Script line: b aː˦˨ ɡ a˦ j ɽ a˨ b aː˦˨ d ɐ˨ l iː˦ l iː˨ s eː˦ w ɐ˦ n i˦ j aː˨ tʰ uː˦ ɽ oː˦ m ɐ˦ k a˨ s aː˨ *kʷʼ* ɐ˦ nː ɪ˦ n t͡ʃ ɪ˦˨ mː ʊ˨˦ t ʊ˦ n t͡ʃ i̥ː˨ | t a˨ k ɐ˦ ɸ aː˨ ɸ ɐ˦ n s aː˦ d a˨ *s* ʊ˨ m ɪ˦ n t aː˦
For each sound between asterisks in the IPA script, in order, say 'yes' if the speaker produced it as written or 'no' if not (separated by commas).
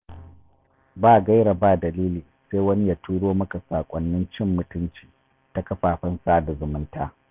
yes, no